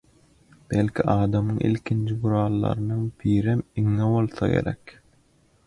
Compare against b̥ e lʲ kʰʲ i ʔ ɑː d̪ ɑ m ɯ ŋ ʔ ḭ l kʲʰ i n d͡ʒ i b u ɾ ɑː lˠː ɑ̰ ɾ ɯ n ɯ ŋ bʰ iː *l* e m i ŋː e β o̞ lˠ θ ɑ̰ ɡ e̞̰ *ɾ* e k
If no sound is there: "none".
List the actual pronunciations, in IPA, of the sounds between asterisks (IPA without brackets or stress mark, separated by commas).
ɾ, ɾ